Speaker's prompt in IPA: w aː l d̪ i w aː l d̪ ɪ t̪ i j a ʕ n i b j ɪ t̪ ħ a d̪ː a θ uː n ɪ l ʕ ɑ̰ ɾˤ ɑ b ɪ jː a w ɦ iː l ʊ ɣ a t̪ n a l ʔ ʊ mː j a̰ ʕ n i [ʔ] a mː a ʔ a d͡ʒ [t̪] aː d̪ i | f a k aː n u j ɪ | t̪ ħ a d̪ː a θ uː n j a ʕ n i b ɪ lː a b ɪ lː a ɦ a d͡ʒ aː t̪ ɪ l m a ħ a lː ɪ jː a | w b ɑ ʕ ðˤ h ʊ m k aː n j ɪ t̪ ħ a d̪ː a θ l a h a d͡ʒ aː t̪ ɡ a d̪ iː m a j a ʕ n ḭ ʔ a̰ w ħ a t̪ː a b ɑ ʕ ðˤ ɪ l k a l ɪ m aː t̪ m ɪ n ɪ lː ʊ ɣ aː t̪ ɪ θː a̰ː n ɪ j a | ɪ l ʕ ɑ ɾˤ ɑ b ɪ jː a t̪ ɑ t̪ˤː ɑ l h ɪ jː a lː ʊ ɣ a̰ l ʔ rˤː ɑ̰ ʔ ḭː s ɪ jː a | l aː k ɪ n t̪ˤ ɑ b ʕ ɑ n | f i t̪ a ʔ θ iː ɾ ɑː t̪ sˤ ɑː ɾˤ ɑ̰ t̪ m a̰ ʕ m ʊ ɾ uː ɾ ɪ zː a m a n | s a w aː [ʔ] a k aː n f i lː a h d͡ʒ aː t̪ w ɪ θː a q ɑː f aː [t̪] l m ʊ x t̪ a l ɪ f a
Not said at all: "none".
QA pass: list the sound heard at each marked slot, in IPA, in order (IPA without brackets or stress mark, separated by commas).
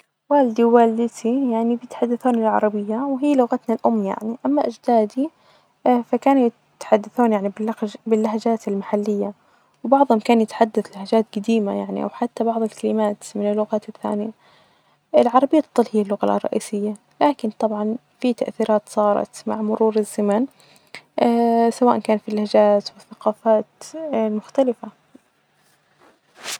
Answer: ʔ, d̪, ʔ, t̪